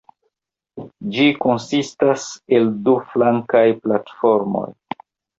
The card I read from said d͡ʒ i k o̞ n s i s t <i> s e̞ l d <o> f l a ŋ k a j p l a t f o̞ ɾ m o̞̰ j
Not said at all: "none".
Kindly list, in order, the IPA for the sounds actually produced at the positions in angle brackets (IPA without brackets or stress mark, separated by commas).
a, u